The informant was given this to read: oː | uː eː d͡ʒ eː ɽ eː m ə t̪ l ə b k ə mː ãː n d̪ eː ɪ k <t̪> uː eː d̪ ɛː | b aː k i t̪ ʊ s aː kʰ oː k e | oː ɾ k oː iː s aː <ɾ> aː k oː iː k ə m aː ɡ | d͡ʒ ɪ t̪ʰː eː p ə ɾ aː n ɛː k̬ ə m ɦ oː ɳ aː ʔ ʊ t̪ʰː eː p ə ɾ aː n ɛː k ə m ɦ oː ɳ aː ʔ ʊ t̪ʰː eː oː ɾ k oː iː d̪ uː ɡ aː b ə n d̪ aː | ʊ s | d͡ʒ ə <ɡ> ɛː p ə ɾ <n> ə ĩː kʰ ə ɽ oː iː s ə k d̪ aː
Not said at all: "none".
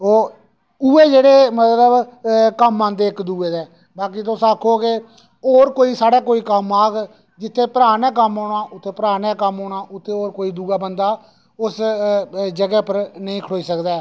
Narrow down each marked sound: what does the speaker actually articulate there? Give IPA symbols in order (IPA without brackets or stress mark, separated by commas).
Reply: d̪, ɽ, ɡ, n